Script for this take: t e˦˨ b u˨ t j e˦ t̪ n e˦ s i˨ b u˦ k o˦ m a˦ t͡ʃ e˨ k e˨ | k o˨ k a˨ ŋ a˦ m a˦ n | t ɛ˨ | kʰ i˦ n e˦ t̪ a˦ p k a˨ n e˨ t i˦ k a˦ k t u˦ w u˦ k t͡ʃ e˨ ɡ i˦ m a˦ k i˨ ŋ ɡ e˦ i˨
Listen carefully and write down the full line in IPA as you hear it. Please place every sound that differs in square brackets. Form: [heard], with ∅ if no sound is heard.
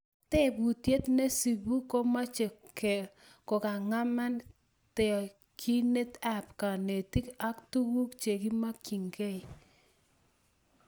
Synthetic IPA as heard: t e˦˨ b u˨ t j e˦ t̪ n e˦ s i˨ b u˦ k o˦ m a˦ t͡ʃ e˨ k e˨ | k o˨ k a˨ ŋ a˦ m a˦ n | t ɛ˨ | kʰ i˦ n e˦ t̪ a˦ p k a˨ n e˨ t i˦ k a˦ k t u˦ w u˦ k t͡ʃ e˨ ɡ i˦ m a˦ k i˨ ŋ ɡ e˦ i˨

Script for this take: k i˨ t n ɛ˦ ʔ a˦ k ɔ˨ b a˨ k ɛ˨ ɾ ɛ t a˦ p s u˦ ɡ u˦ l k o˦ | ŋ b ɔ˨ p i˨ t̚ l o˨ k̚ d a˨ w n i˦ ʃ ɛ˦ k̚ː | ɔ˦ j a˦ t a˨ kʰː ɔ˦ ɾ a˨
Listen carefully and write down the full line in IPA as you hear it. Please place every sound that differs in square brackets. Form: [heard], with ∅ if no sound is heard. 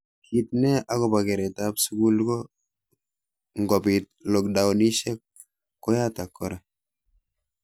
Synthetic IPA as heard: k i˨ t n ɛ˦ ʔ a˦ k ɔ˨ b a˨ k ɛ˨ ɾ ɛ t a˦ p s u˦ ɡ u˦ l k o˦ | ŋ [ɡ] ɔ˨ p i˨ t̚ l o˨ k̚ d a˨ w n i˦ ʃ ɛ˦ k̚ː | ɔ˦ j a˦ t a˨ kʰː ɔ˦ ɾ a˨

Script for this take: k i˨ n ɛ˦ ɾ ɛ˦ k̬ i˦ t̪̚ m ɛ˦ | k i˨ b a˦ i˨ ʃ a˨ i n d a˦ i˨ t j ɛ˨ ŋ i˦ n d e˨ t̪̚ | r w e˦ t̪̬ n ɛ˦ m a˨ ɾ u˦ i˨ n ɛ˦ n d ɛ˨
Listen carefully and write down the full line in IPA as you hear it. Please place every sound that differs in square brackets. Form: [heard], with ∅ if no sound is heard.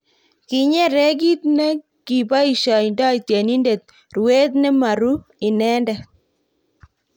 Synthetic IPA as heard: k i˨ [ɲ] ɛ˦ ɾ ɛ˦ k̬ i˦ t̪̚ [n] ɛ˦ | k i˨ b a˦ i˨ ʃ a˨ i n d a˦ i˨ t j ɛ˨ [n] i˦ n d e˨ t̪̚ | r w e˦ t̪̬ n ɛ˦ m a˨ ɾ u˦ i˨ n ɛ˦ n d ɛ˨

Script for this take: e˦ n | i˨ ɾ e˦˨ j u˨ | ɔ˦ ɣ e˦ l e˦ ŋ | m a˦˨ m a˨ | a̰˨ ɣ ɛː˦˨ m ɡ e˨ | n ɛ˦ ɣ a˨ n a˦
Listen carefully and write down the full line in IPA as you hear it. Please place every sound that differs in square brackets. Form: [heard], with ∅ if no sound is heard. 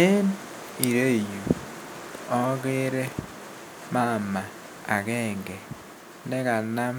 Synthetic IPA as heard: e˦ n | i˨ ɾ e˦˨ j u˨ | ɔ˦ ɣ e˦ [ɾ] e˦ [∅] | m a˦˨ m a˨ | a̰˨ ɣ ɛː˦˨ [ŋ] ɡ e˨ | n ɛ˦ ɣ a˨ n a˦

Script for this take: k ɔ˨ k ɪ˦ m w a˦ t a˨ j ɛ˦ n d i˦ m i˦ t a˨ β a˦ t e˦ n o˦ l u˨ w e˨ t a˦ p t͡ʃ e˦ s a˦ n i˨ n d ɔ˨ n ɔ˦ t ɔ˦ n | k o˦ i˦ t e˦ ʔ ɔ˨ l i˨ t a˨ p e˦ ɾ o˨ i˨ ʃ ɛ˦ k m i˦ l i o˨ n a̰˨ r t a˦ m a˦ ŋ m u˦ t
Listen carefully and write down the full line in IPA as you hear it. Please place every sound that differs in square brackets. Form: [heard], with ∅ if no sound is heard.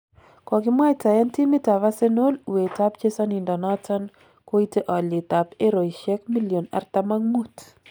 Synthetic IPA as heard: k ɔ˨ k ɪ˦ m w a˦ t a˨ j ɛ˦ n [t] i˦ m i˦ t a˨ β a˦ [s] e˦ n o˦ l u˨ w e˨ t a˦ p t͡ʃ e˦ s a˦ n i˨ n d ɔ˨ n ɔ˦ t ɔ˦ n | k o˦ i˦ t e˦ ʔ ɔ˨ l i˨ t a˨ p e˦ ɾ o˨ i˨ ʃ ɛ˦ k m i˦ l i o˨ n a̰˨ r t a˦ m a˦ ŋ m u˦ t

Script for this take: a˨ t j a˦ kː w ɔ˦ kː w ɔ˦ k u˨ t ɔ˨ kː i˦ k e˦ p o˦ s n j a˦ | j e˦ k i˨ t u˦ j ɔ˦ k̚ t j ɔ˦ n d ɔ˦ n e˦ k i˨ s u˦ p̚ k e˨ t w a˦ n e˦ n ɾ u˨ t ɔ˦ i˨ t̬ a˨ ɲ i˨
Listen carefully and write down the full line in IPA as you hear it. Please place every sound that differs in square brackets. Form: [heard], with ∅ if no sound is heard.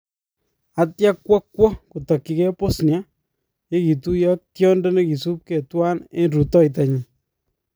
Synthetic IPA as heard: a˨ t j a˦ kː w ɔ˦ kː w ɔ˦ k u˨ t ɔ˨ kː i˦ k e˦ p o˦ s n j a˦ | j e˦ k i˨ t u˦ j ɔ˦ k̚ t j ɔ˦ n d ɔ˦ n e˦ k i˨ s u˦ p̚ k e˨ t w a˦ n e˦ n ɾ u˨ t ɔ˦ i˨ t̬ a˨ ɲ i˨

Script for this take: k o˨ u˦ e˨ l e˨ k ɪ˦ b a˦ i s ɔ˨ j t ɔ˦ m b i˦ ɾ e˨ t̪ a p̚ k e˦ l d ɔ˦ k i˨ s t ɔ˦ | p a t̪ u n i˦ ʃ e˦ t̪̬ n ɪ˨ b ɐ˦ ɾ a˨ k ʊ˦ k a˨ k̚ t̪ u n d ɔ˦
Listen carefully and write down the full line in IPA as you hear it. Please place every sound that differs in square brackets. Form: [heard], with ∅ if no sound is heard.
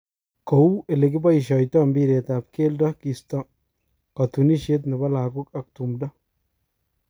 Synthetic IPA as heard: k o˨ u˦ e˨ l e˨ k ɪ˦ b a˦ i [ʃ] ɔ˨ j t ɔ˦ m b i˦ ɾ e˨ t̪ a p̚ k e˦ l d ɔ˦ k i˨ s t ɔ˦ | [k] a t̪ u n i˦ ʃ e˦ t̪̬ n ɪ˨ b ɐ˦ [l] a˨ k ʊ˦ k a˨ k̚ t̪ u [m] d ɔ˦

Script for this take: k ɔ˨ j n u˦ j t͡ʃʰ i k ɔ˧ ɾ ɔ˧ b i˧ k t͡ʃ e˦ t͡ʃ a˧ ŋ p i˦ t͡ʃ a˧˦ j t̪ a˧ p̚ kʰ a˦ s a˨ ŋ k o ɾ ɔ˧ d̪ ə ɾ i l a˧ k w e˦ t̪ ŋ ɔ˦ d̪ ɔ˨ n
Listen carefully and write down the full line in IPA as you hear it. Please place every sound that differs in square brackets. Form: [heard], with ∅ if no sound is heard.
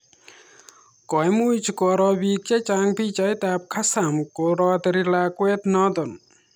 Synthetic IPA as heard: k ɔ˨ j [m] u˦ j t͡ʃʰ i k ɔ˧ ɾ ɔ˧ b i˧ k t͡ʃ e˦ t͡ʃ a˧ ŋ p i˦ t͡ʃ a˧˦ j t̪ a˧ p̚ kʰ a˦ s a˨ [m] k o ɾ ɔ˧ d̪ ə ɾ i l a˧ k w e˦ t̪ [n] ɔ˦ d̪ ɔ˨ n

